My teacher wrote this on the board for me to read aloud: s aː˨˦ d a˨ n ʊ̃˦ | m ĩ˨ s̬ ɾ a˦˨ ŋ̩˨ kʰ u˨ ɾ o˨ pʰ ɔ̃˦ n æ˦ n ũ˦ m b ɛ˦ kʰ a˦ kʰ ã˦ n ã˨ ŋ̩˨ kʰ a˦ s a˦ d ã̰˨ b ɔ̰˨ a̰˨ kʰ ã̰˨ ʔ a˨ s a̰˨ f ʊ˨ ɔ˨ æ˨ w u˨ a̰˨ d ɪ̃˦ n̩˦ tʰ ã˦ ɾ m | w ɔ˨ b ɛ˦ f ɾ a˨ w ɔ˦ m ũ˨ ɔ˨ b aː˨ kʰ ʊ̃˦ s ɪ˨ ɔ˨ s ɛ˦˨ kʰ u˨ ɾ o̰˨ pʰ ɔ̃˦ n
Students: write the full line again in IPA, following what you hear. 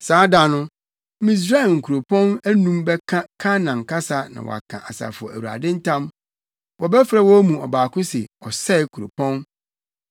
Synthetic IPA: s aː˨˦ d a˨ n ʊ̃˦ | m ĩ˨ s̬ ɾ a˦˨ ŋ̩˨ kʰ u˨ ɾ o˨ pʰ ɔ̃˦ n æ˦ n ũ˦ m b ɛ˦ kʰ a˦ kʰ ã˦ n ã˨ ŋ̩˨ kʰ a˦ s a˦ n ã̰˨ w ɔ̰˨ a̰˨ kʰ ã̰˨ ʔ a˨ s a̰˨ f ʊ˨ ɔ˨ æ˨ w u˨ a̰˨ d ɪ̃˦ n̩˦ tʰ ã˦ m | w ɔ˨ b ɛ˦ f ɾ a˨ w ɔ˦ m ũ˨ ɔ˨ b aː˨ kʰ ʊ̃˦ s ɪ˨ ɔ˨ s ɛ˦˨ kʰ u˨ ɾ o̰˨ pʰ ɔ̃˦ n